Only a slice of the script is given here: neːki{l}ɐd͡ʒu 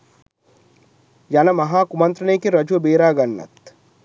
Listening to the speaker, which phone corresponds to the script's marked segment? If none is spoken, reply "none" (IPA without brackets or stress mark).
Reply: ɾ